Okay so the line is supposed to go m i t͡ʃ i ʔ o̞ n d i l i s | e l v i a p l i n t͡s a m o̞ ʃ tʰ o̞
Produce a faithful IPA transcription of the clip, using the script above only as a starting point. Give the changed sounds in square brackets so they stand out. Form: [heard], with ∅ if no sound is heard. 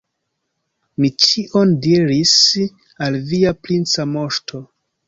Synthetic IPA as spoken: m i t͡ʃ i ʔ o̞ n d i [ɾ] i s | [a] l v i a p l i n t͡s a m o̞ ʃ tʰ o̞